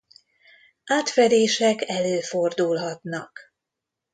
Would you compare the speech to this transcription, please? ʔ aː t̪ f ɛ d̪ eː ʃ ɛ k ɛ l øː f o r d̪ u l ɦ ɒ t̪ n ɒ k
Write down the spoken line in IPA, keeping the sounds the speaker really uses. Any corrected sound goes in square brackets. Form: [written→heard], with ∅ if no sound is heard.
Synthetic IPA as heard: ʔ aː t̪ f ɛ d̪ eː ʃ ɛ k ɛ l øː f o r d̪ u l ɦ ɒ t̪ n ɒ k